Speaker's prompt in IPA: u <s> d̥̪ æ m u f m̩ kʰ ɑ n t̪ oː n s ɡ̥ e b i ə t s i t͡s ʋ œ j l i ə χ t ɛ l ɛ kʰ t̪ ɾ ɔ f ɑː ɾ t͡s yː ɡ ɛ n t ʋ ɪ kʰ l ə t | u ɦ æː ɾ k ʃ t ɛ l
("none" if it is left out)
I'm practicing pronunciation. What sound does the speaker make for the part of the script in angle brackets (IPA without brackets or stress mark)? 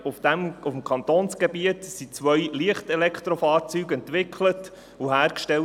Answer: f